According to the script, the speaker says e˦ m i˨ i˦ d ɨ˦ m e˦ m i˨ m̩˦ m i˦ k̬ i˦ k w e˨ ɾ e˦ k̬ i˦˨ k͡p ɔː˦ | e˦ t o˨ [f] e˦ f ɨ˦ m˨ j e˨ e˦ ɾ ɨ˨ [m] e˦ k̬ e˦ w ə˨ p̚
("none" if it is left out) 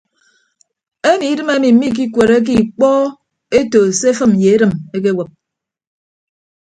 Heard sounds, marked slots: s, m

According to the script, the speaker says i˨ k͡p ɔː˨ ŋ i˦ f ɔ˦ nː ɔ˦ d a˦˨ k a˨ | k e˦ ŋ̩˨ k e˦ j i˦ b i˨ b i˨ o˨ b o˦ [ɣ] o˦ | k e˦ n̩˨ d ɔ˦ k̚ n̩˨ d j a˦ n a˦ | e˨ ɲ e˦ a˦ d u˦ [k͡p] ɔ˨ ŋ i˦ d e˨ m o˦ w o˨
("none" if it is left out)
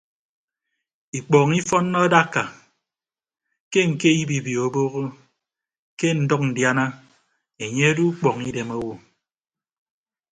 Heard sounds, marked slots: ɣ, k͡p

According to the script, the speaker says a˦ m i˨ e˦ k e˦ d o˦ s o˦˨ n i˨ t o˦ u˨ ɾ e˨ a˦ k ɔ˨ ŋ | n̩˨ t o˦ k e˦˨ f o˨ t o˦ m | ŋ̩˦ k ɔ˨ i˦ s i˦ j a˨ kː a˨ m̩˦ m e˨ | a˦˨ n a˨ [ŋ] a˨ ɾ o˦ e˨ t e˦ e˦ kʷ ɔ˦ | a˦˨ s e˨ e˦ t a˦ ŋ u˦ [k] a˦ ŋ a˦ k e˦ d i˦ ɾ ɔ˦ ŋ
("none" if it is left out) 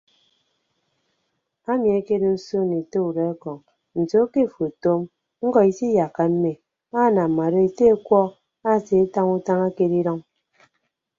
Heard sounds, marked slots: m, t

